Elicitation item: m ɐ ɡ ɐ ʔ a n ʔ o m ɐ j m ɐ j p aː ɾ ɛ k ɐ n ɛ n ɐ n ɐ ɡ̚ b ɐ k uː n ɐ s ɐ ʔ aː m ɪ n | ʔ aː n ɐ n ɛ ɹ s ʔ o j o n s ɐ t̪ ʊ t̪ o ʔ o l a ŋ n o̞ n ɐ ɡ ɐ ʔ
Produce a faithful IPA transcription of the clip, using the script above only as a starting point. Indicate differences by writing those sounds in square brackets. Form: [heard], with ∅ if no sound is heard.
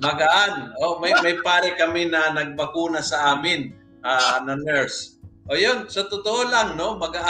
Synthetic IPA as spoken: m ɐ ɡ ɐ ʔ a n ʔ o m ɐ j m ɐ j p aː ɾ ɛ k ɐ [m] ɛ n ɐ n ɐ ɡ̚ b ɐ k uː n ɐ s ɐ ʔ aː m ɪ n | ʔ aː n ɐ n ɛ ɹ s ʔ o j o n s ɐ t̪ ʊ t̪ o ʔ o l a ŋ n o̞ [m] ɐ ɡ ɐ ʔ